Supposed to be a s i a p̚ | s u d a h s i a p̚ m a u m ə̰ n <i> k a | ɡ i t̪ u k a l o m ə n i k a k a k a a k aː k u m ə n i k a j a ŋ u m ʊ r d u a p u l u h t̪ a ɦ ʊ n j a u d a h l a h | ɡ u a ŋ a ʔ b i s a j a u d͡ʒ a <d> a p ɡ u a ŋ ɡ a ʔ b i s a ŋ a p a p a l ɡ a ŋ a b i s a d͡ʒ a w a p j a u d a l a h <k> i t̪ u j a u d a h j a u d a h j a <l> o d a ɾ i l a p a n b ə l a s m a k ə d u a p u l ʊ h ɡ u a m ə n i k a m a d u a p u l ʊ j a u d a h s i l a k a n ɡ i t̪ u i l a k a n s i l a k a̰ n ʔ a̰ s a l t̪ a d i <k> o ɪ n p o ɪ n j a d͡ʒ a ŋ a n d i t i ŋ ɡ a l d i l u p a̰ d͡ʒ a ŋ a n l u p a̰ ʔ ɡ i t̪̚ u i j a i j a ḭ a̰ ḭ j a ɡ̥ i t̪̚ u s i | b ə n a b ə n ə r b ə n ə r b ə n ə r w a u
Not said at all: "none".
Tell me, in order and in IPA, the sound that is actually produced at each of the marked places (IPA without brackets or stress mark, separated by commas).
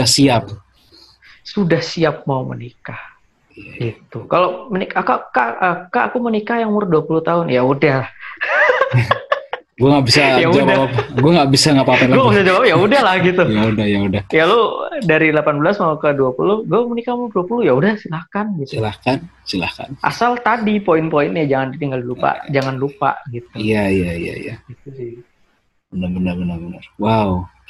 i, d, ɡ, l, p